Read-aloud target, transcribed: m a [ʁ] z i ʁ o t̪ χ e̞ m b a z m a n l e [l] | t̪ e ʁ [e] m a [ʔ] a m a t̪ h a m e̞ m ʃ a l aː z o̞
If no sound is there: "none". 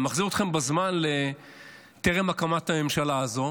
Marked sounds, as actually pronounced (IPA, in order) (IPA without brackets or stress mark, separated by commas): χ, none, e, k